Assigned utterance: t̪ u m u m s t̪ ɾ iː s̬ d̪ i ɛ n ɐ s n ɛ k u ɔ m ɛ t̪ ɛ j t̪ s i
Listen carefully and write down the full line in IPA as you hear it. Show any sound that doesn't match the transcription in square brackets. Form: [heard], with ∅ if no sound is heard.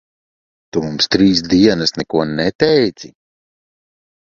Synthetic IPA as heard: t̪ u m u m s t̪ ɾ iː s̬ d̪ i ɛ n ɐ s n ɛ k u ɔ [n] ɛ t̪ ɛ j t̪ s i